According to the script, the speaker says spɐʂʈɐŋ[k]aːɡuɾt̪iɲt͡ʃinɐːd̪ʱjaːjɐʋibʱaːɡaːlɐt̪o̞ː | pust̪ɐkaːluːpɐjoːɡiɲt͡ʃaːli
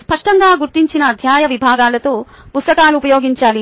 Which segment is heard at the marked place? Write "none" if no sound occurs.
ɡ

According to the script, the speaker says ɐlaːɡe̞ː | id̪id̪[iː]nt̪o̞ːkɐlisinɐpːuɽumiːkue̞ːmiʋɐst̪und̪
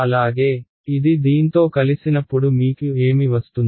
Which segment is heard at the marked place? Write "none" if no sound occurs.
iː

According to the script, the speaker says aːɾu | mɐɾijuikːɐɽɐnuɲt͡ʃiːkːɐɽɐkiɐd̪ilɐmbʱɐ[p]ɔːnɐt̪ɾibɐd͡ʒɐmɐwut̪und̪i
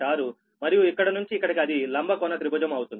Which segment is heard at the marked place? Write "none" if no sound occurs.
k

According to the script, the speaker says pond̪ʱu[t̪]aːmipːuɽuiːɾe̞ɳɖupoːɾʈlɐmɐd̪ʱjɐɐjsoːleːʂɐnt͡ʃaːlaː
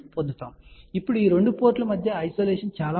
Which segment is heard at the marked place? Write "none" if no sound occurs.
t̪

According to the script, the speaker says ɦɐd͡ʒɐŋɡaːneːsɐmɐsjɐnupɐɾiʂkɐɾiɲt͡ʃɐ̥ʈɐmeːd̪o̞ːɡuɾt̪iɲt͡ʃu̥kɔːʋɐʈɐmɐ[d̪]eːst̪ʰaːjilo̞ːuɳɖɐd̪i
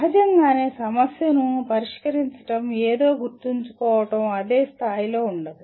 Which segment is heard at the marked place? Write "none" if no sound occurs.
d̪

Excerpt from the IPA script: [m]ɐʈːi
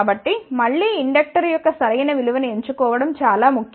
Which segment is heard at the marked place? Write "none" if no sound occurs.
b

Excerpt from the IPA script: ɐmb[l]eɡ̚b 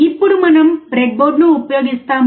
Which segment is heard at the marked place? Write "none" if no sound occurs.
ɾ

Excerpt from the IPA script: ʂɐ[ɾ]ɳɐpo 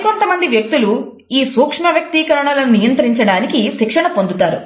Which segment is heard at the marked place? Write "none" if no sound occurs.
none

